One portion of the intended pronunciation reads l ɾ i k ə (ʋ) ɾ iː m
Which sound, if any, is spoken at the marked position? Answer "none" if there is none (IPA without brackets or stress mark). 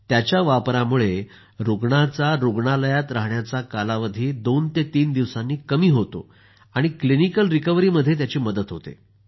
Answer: ʋ